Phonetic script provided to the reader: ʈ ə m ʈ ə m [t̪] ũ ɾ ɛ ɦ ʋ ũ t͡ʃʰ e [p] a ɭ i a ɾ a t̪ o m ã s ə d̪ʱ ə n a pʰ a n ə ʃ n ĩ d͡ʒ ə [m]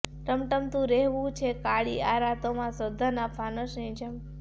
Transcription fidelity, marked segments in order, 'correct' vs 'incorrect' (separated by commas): correct, incorrect, correct